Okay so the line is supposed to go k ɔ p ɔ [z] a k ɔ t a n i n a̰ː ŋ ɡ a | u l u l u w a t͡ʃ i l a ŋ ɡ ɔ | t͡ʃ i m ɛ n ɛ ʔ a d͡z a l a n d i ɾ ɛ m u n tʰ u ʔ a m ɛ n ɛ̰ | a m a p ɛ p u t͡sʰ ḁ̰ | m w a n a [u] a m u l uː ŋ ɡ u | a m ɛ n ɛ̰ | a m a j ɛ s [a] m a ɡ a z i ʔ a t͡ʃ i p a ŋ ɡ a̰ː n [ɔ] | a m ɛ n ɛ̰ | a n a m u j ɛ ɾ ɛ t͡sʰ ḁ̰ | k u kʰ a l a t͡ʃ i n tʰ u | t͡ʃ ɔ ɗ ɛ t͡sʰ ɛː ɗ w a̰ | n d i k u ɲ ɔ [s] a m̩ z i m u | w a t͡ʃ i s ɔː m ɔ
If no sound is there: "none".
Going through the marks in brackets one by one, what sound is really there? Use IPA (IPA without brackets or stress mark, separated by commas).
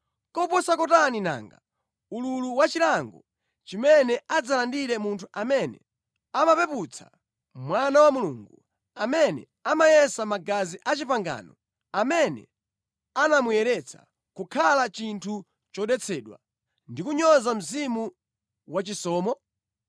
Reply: s, w, a, ɔ, z